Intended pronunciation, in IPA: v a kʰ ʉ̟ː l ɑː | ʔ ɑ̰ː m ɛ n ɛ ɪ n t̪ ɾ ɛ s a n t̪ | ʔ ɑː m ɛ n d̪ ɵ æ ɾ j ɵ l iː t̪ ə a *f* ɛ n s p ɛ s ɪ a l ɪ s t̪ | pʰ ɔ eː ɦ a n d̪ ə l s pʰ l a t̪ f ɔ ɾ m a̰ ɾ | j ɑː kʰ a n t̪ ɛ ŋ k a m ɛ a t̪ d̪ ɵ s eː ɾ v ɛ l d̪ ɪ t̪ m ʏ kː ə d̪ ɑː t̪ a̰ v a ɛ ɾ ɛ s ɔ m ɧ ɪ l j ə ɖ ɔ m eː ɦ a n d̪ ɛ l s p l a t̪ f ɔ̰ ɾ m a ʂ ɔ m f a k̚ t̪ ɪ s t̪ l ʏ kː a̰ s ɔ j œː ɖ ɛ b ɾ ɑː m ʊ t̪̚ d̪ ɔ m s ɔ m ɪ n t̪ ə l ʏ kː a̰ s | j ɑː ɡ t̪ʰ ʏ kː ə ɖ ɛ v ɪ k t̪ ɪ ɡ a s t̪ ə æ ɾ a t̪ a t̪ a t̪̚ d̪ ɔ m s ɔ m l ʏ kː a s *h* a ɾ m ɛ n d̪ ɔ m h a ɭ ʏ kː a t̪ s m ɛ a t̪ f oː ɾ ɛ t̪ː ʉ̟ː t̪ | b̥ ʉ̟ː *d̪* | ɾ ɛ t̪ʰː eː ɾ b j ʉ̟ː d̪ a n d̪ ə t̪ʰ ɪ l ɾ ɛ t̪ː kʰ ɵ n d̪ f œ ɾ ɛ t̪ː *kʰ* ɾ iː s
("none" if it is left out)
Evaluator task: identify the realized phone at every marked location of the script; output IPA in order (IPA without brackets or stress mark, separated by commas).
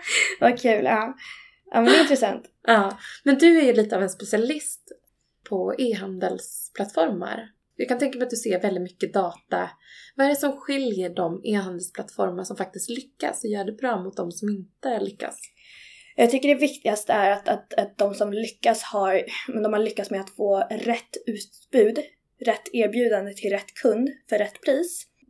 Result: v, h, d̪, pʰ